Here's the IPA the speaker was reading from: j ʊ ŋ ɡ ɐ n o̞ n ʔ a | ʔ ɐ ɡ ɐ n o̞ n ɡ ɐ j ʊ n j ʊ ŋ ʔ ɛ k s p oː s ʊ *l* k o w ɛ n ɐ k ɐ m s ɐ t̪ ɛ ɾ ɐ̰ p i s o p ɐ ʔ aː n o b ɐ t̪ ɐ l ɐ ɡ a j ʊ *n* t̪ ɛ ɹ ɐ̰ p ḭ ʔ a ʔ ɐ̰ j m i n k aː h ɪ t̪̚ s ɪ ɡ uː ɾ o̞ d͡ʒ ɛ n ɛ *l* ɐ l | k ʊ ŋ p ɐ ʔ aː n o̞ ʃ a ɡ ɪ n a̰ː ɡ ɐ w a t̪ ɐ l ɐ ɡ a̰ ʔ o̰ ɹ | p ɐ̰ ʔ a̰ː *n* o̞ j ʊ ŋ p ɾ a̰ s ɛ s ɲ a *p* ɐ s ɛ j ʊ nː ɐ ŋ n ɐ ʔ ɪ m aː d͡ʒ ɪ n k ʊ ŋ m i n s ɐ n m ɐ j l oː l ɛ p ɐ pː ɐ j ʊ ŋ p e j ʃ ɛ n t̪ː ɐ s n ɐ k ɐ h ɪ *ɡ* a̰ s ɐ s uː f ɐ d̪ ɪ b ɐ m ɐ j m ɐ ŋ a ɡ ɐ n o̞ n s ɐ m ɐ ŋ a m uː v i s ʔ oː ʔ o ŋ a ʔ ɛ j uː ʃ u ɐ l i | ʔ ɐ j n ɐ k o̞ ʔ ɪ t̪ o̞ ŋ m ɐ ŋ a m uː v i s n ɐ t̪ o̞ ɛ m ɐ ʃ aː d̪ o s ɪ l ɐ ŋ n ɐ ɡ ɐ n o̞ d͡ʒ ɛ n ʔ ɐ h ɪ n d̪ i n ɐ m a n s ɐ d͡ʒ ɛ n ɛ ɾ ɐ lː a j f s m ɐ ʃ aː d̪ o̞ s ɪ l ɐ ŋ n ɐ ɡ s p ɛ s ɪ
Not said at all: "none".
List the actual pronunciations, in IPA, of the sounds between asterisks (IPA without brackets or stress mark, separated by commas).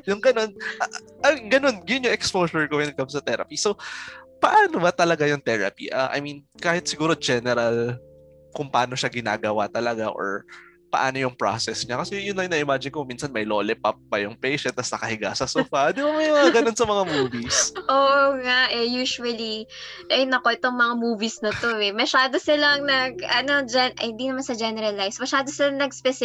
ɹ, ŋ, ɾ, n, k, ɡ